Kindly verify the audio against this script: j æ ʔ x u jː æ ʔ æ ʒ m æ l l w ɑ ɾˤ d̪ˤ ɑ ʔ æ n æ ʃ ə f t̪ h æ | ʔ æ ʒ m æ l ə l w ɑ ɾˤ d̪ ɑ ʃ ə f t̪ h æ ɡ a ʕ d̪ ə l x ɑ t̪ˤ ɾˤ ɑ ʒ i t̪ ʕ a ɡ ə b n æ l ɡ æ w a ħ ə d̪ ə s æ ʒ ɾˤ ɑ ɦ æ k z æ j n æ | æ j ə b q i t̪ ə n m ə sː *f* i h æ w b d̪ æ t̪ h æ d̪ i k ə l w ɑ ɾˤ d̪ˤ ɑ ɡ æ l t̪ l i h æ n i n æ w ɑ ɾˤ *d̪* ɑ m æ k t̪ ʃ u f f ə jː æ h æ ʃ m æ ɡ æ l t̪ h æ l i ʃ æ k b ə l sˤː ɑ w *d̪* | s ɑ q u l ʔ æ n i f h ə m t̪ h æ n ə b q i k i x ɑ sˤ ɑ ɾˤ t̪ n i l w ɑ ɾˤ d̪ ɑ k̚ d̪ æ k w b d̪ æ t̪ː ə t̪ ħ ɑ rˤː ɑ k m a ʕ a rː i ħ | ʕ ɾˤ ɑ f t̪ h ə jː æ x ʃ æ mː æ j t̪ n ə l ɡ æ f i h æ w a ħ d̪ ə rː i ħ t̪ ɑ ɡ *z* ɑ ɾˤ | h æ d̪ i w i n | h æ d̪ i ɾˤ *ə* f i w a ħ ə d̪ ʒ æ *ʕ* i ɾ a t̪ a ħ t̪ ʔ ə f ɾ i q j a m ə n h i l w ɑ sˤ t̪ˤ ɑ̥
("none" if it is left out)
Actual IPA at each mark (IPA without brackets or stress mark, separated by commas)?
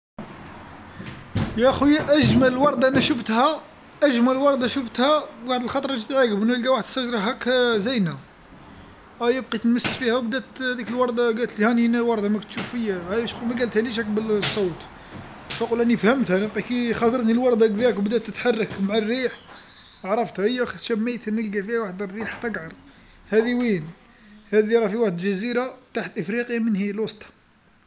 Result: f, d̪, t̪, ʕ, ɑ, z